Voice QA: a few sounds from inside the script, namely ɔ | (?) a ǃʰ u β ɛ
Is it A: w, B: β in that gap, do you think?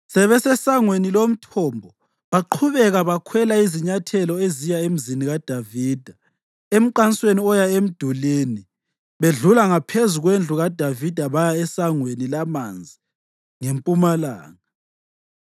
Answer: B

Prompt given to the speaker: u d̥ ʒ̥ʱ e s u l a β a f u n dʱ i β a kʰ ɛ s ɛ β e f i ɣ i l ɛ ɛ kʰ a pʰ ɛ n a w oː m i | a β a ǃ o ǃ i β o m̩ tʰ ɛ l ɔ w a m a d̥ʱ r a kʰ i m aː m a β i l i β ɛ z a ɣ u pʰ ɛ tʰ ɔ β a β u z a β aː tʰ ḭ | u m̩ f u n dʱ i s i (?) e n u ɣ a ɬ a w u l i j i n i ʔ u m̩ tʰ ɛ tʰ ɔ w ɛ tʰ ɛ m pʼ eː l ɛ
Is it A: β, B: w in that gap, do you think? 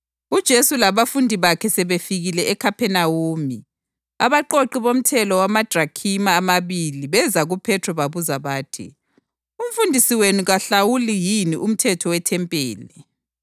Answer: B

